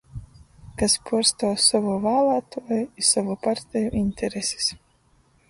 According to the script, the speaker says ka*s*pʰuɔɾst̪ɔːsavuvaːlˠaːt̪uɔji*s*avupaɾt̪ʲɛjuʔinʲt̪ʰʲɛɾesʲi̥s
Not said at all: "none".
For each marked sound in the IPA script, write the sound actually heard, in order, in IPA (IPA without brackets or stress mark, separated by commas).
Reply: s, s